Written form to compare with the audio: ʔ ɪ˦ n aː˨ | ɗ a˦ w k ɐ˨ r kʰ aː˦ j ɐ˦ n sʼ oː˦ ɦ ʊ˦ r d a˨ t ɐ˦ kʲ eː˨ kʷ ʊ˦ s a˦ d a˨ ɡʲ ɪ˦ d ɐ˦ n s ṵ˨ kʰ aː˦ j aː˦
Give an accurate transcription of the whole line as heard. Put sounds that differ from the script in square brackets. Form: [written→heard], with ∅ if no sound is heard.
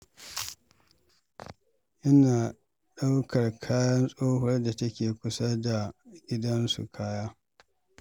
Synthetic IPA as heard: ʔ ɪ˦ n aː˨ | ɗ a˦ w k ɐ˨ r kʰ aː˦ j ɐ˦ n sʼ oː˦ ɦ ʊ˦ r d a˨ t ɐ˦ kʲ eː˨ kʷ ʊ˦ s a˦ d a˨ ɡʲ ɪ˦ d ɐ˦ n s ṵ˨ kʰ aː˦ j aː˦